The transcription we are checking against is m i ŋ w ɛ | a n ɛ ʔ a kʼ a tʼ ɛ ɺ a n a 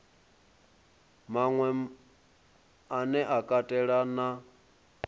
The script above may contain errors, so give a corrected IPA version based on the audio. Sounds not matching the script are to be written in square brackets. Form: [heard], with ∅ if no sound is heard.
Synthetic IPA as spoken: m [a] ŋ w ɛ | a n ɛ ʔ a kʼ a tʼ ɛ ɺ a n a